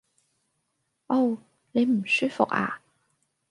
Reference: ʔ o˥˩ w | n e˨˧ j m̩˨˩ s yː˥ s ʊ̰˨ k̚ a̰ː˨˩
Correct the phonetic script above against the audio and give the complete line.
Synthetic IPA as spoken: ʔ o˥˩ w | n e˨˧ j m̩˨˩ s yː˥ f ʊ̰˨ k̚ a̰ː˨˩